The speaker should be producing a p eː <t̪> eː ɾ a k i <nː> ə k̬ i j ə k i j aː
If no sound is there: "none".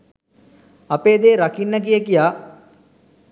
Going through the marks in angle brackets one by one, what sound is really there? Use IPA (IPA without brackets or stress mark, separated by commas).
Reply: d̪, nː